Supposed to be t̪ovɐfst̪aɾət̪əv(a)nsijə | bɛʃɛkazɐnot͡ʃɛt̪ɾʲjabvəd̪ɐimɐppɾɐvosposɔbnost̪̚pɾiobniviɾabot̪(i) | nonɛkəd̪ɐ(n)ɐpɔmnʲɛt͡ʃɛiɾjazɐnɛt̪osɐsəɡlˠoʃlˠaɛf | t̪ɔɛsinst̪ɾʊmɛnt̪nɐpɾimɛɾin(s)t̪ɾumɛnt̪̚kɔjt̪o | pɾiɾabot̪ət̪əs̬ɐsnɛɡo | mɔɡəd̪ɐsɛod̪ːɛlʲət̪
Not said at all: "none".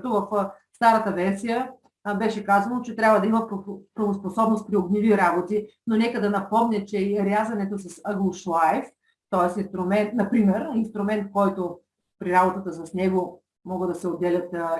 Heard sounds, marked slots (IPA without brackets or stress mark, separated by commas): ɛ, i, n, s